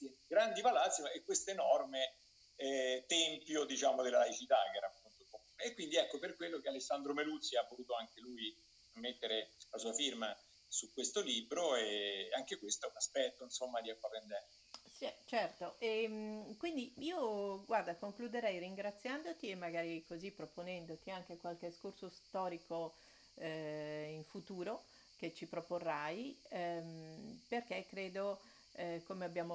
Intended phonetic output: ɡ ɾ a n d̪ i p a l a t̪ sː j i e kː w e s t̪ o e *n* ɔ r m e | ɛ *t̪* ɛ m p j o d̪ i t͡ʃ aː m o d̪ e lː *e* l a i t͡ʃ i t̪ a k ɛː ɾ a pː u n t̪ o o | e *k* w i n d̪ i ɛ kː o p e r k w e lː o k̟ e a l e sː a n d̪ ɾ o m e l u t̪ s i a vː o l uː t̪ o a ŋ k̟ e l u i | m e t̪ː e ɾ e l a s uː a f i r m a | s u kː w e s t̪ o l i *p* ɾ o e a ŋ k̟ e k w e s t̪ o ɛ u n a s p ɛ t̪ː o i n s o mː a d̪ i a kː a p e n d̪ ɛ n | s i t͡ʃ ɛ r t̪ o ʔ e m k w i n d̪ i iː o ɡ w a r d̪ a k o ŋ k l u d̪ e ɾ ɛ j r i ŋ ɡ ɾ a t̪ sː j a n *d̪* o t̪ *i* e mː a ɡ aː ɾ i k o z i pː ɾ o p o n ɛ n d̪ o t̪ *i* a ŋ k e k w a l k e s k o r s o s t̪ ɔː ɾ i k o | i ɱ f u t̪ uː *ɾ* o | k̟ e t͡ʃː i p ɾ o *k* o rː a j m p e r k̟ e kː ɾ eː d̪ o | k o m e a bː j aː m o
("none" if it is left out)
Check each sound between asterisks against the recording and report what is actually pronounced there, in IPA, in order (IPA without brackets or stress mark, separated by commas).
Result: n, t̪, a, k, b, d̪, i, i, ɾ, p